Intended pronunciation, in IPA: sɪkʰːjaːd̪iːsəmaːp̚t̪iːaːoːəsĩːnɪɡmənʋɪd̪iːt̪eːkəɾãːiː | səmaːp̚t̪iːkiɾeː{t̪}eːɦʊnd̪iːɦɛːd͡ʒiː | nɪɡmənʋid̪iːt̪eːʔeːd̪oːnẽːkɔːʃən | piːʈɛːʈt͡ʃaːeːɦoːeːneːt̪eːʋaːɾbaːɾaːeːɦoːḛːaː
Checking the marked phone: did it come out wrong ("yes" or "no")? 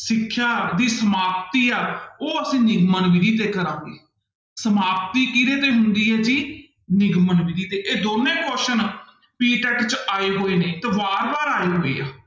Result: no